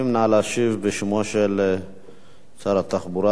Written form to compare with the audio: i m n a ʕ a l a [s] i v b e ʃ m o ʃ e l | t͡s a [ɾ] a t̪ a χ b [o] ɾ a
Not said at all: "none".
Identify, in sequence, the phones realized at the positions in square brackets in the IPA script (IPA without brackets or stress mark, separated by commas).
ʃ, ɾ, u